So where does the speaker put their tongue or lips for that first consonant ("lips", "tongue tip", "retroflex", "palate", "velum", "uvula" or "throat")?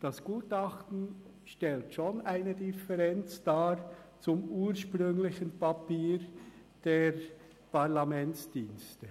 tongue tip